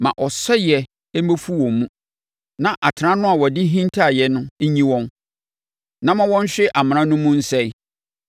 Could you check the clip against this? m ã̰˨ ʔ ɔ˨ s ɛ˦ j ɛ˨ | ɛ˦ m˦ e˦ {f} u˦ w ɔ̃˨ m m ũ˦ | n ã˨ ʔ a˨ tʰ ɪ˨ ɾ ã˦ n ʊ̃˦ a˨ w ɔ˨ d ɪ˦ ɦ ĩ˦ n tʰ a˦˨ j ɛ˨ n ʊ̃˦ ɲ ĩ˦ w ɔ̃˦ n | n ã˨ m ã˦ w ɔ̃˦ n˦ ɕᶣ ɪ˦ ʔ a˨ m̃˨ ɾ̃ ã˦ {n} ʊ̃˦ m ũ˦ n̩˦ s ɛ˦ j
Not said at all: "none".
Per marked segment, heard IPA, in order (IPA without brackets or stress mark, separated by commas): f, n